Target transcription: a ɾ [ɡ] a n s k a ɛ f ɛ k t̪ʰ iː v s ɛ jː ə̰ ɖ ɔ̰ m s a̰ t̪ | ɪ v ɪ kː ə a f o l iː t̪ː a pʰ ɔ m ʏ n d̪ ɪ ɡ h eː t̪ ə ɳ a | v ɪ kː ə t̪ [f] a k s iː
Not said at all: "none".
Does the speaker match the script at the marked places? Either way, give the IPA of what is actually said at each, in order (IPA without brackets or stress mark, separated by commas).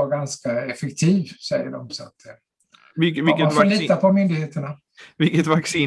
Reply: ɡ, v